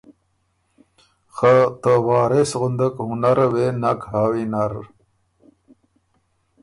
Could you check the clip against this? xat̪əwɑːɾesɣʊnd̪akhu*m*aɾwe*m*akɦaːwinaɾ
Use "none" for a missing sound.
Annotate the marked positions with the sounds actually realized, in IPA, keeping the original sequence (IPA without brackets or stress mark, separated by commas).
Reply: n, n